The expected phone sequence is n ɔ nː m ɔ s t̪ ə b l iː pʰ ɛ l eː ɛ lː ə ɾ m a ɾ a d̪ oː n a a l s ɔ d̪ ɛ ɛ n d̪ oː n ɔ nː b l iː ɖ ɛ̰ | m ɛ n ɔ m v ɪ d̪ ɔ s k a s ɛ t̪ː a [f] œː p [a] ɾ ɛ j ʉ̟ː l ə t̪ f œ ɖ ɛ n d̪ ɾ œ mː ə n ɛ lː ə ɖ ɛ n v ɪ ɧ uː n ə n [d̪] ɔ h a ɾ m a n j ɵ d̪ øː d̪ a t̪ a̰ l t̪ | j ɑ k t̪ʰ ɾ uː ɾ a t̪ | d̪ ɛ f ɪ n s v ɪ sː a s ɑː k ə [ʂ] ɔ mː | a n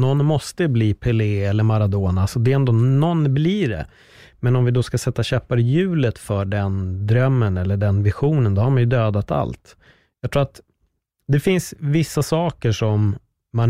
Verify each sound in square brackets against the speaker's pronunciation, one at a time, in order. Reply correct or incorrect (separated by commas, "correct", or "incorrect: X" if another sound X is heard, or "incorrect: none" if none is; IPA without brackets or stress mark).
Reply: incorrect: ɕ, correct, correct, correct